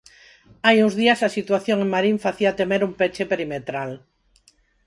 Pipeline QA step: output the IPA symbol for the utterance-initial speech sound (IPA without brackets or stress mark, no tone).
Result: a